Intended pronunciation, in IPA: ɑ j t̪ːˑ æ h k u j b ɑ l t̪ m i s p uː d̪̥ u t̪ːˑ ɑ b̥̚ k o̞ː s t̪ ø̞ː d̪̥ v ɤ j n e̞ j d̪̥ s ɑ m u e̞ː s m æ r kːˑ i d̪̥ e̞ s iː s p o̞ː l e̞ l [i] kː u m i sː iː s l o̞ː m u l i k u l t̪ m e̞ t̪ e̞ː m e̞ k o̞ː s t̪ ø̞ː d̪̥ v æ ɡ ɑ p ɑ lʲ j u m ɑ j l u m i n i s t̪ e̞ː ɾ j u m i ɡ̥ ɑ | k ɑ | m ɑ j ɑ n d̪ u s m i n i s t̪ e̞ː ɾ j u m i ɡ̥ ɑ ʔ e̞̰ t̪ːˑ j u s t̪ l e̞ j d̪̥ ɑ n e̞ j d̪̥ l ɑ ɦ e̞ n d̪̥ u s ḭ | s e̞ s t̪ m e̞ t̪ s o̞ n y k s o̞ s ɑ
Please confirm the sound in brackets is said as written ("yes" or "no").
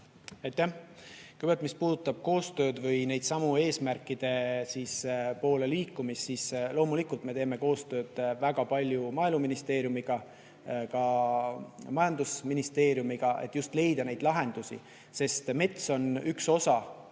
no